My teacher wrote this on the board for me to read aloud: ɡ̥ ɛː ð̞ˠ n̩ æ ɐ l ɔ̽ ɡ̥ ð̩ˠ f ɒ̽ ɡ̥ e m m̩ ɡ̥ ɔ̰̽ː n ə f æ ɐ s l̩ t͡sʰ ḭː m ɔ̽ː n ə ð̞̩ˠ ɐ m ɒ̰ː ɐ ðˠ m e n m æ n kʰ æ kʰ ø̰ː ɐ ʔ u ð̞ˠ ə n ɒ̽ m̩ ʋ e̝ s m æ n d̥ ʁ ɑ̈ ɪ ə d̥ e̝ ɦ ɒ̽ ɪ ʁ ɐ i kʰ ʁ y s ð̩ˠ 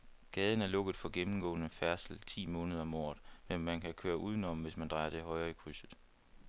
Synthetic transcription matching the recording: ɡ̥ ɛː ð̞ˠ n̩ æ ɐ l ɔ̽ ɡ̥ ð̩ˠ f ɒ̽ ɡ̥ e m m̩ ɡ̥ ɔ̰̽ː n ə f æ ɐ s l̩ t͡sʰ ḭː m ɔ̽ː n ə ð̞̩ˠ ɐ m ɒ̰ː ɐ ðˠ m e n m æ n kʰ æ kʰ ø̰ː ɐ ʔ u ð̞ˠ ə n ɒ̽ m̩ ʋ e̝ s m æ n d̥ ʁ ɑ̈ ɪ ɐ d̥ e̝ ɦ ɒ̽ ɪ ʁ ɐ i kʰ ʁ y s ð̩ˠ